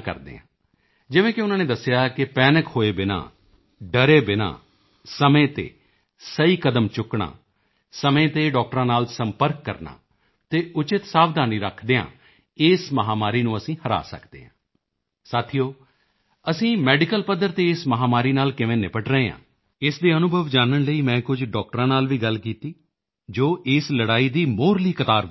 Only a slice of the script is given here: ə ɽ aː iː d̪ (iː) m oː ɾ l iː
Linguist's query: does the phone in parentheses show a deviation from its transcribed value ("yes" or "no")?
no